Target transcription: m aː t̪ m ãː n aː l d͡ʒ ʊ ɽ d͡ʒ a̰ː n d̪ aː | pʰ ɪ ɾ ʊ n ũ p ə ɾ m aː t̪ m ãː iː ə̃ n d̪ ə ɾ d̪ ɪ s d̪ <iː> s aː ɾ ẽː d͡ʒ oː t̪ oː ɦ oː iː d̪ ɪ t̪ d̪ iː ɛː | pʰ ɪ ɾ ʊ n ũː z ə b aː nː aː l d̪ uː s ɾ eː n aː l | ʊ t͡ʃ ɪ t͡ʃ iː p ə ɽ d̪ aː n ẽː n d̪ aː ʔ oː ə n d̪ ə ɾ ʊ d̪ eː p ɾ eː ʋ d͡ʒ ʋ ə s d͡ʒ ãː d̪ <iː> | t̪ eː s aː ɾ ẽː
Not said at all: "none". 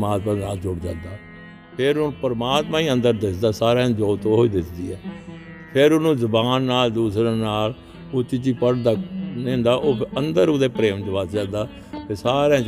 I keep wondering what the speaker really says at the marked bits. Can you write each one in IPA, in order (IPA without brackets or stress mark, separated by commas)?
aː, aː